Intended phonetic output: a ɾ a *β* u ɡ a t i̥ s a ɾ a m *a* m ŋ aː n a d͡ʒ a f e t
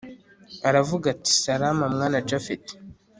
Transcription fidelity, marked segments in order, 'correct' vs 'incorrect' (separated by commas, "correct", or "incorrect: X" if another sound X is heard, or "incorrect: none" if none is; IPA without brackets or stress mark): incorrect: v, correct